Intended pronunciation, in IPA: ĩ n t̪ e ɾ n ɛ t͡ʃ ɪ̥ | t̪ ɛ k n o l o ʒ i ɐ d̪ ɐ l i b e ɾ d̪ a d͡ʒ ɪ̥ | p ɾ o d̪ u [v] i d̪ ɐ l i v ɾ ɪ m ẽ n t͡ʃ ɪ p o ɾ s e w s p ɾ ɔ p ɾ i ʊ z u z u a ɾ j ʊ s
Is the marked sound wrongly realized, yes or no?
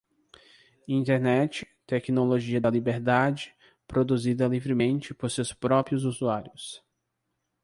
yes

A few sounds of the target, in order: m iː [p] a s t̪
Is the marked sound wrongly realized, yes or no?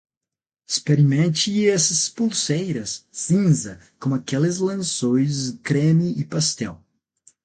no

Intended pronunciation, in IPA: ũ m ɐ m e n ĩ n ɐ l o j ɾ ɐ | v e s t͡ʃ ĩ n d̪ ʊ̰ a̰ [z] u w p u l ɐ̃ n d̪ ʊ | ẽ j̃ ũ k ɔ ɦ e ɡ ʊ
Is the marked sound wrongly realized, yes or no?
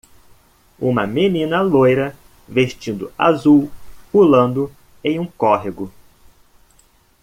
no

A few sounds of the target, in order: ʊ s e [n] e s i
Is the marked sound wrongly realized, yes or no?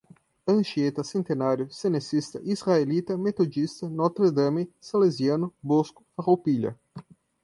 no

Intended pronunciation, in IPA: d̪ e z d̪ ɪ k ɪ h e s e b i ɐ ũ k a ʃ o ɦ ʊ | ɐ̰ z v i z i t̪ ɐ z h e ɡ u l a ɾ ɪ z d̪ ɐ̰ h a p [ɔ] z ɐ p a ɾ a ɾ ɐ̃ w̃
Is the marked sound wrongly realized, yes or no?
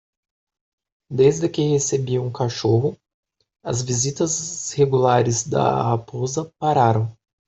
yes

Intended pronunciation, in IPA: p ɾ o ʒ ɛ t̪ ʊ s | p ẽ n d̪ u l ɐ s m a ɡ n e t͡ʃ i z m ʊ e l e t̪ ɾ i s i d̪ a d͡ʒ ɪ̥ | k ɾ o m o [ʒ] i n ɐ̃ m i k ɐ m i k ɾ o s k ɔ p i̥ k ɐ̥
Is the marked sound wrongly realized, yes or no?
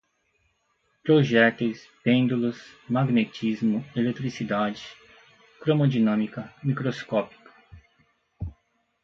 yes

